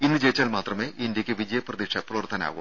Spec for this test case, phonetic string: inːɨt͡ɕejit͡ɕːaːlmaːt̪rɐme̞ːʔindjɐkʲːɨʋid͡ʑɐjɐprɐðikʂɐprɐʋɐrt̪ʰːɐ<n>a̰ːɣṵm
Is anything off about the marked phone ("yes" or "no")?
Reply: no